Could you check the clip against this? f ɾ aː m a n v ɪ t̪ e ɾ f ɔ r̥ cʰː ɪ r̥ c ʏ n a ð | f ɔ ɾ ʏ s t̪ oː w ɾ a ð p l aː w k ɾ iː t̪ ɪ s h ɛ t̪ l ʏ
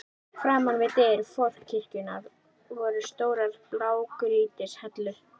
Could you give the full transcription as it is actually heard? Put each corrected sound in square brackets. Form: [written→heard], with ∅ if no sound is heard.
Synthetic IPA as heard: f ɾ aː m a n v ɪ t̪ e ɾ f ɔ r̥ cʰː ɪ r̥ c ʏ n a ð | [f→v] ɔ ɾ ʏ s t̪ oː w ɾ a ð p l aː w k ɾ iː t̪ ɪ s h ɛ t̪ l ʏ